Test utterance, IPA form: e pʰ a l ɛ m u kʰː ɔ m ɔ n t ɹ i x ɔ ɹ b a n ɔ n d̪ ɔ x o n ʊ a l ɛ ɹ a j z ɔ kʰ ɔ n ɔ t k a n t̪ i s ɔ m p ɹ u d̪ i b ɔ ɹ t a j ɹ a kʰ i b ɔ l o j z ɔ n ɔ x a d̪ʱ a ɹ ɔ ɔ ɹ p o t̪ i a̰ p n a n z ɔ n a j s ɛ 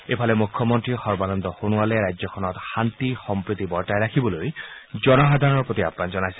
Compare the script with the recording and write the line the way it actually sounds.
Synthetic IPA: e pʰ a l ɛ m u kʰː ɔ m ɔ n t ɹ i x ɔ ɹ b a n ɔ n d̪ ɔ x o n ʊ a l ɛ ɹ a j z ɔ kʰ ɔ n ɔ t x a n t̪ i x ɔ m p ɹ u t̪ i b ɔ ɹ t a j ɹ a kʰ i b ɔ l o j z ɔ n ɔ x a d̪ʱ a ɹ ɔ ɔ ɹ p o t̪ i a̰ p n a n z ɔ n a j s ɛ

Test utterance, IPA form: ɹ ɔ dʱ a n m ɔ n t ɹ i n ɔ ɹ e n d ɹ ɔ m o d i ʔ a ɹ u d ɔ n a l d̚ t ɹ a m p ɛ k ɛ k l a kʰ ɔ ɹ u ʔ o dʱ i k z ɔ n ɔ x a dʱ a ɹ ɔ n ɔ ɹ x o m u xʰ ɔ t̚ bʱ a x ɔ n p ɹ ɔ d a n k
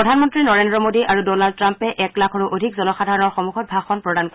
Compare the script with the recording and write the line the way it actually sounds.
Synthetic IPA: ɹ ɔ dʱ a n m ɔ n t ɹ i n ɔ ɹ e n d ɹ ɔ m o d i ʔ a ɹ u d ɔ n a l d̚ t ɹ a m p ɛ ʔ ɛ k l a kʰ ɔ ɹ u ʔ o dʱ i k z ɔ n ɔ x a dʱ a ɹ ɔ n ɔ ɹ x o m u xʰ ɔ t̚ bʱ a x ɔ n p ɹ ɔ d a n k

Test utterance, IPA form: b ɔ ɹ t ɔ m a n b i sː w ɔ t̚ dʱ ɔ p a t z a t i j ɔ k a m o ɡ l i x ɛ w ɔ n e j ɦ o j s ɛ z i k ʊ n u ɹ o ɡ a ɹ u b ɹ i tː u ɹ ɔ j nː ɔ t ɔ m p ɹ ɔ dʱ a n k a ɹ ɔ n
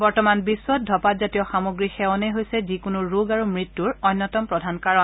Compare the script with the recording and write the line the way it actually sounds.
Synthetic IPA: b ɔ ɹ t ɔ m a n b i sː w ɔ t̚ dʱ ɔ p a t z a t i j ɔ x a m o ɡ ɹ i x ɛ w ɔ n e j ɦ o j s ɛ z i k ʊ n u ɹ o ɡ a ɹ u m ɹ i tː u ɹ ɔ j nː ɔ t ɔ m p ɹ ɔ dʱ a n k a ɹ ɔ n

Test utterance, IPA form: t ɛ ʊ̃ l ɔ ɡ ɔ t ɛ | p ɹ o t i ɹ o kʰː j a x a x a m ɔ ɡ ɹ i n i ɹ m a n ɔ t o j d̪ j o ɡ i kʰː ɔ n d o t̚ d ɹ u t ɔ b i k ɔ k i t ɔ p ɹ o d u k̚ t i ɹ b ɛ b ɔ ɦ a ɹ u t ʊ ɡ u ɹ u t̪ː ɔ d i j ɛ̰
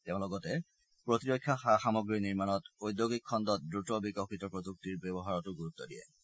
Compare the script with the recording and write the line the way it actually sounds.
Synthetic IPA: t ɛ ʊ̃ l ɔ ɡ ɔ t ɛ | p ɹ o t i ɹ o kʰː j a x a x a m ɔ ɡ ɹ i n i ɹ m a n ɔ t o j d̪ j o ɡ i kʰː ɔ n d ɔ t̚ d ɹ u t ɔ b i k ɔ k i t ɔ p ɹ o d u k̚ t i ɹ b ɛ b ɔ ɦ a ɹ ɔ t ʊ ɡ u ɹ u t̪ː ɔ d i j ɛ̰

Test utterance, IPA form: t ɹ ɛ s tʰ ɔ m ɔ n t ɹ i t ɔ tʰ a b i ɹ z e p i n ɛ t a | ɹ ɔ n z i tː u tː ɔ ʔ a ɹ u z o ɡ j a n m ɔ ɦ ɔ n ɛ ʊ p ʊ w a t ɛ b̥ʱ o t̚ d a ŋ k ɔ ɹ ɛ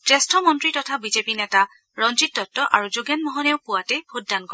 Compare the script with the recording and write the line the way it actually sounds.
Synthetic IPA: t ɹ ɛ s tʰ ɔ m ɔ n t ɹ i t ɔ tʰ a b i z e p i n ɛ t a | ɹ ɔ n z i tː ɔ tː ɔ ʔ a ɹ u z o ɡ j a n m ɔ ɦ ɔ n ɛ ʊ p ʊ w a t ɛ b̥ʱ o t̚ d a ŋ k ɔ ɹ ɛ

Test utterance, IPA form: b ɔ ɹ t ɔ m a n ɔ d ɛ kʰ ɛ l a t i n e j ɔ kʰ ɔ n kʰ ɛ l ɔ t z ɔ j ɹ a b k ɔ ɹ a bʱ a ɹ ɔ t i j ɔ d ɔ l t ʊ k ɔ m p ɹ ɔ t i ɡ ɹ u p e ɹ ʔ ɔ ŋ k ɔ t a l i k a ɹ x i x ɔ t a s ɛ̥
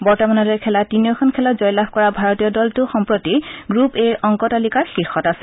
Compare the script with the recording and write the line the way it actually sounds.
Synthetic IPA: b ɔ ɹ t ɔ m a n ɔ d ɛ kʰ ɛ l a t i n i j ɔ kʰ ɔ n kʰ ɛ l ɔ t z ɔ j l a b k ɔ ɹ a bʱ a ɹ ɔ t i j ɔ d ɔ l t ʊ x ɔ m p ɹ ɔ t i ɡ ɹ u p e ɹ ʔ ɔ ŋ k ɔ t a l i k a ɹ x i x ɔ t a s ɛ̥

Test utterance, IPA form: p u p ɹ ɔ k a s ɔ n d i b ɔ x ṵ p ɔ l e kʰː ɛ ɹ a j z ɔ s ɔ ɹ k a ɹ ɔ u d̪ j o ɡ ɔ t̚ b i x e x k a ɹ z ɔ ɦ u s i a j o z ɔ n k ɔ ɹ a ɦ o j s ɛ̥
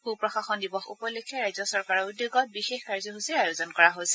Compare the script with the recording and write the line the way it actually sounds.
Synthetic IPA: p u p ɹ ɔ x a x ɔ n d i b ɔ x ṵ p ɔ l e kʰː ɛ ɹ a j z ɔ s ɔ ɹ k a ɹ ɔ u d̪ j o ɡ ɔ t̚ b i x e x k a ɹ z ɔ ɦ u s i a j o z ɔ n k ɔ ɹ a ɦ o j s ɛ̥

